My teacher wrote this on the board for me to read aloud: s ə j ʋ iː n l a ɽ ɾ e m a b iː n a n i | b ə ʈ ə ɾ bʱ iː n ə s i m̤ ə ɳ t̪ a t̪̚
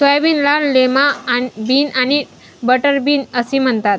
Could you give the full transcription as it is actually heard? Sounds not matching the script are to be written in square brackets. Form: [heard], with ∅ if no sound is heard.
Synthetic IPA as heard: s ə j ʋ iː n l a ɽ [l] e m a b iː n a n i | b ə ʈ ə ɾ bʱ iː n ə s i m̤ ə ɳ t̪ a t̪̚